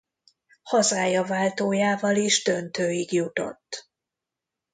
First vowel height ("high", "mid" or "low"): low